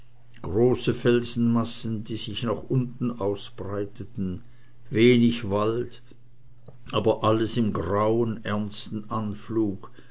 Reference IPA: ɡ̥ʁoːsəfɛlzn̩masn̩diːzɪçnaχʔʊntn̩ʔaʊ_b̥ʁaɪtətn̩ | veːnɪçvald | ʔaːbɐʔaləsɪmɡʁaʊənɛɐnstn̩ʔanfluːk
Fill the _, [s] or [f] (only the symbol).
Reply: s